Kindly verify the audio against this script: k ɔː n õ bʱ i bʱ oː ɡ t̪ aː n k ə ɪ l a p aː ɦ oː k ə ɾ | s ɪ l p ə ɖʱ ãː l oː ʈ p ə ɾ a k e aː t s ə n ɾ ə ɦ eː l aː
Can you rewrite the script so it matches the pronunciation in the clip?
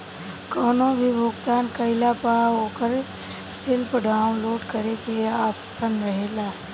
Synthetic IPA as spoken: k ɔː n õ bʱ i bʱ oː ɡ t̪ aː n k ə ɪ l a p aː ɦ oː k ə ɾ | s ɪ l p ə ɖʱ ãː l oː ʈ k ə ɾ e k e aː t s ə n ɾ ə ɦ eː l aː